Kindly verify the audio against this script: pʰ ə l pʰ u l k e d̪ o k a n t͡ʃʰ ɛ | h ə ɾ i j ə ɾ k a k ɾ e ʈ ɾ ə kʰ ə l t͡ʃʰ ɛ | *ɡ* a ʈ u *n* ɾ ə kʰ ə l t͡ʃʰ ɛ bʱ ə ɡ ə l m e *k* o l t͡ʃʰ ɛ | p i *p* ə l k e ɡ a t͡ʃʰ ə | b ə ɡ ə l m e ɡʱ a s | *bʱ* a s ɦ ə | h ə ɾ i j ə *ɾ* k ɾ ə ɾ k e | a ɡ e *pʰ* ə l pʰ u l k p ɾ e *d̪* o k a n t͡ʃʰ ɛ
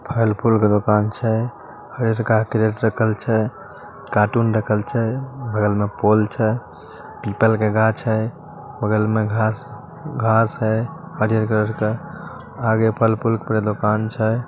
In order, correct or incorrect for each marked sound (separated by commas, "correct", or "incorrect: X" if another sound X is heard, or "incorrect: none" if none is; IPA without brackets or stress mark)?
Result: incorrect: k, correct, incorrect: p, correct, incorrect: ɡʱ, correct, correct, correct